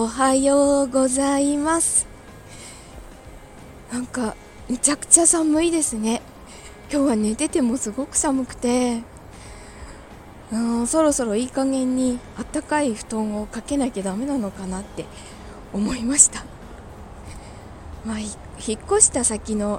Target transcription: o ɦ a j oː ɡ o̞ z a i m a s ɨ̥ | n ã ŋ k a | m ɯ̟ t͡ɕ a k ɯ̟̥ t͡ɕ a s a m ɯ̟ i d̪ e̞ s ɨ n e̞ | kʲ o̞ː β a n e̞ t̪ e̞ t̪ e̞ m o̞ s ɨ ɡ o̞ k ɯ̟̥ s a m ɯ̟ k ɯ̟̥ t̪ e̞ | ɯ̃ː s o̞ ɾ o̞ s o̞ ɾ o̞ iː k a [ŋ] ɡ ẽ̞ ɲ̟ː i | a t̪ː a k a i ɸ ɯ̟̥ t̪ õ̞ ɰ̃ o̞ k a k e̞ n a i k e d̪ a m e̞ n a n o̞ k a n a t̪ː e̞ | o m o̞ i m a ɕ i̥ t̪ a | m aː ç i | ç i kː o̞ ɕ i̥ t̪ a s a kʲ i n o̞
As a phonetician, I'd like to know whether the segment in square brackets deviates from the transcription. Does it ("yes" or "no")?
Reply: no